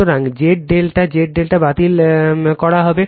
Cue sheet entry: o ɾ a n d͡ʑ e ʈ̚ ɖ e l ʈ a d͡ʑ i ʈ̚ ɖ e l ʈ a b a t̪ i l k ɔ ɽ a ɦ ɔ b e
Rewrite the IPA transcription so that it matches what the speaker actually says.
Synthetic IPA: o ɾ a ŋ d͡ʑ e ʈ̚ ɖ e l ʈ a d͡ʑ e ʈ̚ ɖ e l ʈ a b a t̪ i l k ɔ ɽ a ɦ ɔ b e